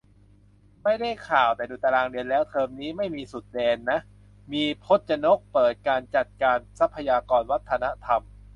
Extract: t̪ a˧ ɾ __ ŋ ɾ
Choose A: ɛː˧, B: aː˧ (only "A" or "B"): B